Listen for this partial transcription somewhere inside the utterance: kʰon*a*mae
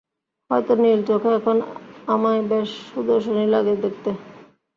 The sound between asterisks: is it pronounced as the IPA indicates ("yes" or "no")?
yes